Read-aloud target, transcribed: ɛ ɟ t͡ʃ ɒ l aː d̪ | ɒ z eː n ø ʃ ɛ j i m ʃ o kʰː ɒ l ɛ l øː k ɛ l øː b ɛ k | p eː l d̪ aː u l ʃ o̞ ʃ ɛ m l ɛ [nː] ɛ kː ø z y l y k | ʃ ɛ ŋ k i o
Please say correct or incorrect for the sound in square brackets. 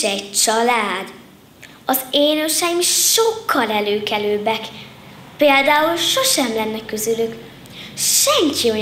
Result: correct